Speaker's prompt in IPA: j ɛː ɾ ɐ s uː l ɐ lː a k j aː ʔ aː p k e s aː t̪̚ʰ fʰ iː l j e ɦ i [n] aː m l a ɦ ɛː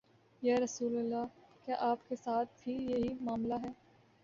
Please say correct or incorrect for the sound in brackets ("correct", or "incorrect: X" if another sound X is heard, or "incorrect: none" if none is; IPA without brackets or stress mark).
incorrect: m